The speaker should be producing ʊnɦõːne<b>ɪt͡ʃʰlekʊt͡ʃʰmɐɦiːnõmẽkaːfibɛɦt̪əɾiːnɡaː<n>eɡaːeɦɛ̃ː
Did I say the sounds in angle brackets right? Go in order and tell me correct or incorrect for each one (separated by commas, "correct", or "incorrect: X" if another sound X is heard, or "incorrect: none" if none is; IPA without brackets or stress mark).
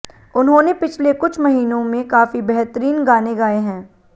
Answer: incorrect: p, correct